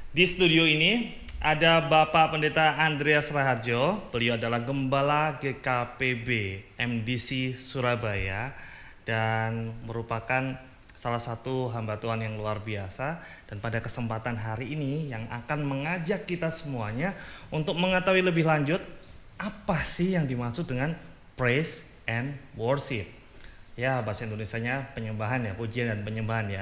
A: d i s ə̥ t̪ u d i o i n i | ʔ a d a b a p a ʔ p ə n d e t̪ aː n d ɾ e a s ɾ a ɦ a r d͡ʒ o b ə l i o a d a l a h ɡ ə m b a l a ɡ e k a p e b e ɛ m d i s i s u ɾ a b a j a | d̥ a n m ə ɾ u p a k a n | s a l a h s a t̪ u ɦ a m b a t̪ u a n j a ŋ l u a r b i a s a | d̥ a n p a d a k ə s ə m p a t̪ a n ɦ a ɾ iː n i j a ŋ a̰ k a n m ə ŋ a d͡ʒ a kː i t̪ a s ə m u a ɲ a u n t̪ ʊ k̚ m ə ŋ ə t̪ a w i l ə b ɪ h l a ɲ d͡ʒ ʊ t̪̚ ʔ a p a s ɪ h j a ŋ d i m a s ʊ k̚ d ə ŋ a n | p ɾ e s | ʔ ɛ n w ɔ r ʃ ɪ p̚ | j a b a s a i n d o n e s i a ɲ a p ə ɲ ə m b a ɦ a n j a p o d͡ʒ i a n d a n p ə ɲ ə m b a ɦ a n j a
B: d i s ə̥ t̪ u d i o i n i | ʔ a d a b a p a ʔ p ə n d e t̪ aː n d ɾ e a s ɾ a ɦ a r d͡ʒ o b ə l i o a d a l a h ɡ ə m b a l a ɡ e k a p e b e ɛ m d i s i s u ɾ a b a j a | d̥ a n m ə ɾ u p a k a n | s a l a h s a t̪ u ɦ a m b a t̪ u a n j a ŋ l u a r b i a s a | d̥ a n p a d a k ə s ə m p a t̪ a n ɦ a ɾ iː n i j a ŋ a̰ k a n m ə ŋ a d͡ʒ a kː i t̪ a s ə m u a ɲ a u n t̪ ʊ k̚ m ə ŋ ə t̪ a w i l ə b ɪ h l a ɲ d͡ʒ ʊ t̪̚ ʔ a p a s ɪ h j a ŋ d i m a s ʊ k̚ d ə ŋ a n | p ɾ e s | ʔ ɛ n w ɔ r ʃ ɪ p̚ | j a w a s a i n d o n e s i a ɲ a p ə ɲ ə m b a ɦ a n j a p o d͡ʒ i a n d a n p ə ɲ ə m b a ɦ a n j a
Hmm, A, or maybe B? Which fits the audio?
A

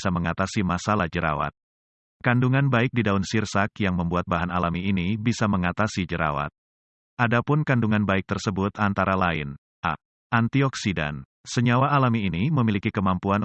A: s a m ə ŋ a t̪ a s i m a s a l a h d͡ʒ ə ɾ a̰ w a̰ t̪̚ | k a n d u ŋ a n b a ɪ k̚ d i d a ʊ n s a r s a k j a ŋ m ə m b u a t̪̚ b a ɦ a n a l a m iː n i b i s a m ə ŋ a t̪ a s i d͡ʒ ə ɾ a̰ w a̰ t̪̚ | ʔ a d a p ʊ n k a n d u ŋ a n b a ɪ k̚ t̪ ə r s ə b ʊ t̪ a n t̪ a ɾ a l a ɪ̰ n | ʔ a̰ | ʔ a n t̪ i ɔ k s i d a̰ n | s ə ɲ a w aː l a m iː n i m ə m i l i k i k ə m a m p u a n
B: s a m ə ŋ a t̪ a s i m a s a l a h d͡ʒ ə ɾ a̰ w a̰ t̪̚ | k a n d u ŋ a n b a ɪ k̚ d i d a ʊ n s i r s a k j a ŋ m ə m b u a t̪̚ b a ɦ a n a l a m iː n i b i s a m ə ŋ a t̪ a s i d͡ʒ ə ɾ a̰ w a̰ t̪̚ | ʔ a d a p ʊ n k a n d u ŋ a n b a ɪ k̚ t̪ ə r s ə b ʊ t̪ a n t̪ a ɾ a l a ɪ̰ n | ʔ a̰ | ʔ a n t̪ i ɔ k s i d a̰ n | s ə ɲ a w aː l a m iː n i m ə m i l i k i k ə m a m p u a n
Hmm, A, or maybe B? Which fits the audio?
B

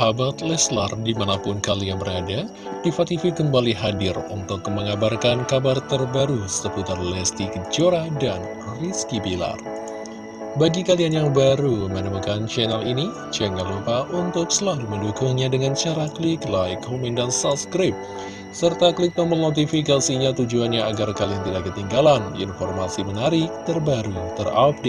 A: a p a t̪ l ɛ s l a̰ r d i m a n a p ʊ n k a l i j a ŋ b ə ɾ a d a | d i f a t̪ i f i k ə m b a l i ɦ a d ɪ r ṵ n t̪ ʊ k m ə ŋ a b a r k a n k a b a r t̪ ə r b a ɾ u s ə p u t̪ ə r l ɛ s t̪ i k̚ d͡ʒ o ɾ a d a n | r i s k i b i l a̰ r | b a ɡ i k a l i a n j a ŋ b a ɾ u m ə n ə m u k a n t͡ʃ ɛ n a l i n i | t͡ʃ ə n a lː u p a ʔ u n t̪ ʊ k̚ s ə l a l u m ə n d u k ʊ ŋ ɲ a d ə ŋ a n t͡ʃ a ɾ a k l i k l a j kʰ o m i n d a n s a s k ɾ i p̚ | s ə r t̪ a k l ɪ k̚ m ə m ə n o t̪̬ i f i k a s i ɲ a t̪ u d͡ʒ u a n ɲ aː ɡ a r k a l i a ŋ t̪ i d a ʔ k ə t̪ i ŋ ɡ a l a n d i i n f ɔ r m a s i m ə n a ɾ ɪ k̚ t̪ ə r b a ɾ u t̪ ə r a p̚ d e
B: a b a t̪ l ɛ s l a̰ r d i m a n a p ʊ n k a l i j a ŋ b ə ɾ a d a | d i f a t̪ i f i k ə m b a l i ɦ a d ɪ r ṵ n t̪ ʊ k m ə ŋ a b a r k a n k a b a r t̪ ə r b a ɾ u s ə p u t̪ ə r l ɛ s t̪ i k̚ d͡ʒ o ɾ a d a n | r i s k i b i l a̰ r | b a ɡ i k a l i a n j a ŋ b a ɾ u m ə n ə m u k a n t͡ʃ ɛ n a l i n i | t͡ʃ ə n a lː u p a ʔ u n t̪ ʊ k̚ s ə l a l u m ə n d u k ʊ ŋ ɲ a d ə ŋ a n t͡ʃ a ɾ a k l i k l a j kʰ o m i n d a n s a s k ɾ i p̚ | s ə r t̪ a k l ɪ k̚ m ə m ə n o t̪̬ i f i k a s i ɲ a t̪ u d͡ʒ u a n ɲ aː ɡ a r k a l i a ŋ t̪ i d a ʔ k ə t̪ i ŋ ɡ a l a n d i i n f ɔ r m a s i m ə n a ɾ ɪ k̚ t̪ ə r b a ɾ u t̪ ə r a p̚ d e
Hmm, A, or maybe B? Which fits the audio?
B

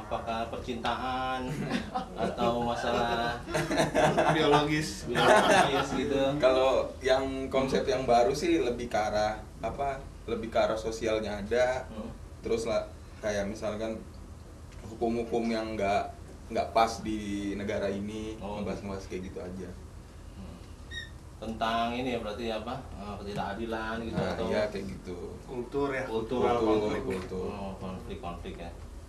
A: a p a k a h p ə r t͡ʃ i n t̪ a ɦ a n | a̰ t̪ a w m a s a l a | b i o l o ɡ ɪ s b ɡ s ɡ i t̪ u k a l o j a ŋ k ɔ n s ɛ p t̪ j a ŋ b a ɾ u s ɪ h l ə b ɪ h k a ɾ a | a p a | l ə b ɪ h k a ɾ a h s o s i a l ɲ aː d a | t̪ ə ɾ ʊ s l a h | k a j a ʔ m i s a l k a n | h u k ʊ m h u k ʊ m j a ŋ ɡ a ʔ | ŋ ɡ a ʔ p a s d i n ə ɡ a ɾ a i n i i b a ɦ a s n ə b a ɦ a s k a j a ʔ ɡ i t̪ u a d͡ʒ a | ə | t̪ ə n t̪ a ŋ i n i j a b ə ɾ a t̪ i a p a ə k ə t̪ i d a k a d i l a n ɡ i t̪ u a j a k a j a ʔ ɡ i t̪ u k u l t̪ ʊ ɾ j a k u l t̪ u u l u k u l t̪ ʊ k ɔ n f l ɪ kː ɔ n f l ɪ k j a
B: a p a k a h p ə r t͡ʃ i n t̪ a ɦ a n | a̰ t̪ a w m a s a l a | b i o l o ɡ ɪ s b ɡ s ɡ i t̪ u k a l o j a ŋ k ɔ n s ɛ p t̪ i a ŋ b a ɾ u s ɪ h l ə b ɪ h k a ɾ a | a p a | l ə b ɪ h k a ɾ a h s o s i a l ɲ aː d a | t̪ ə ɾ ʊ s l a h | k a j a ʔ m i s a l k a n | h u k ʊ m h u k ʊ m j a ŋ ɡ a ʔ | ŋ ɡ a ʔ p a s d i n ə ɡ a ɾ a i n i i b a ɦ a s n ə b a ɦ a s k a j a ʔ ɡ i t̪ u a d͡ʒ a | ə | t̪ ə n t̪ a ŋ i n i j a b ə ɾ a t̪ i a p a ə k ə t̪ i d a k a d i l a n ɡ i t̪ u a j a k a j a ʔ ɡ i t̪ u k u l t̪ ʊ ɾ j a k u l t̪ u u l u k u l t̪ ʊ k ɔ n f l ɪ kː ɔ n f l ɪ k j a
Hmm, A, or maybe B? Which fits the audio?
A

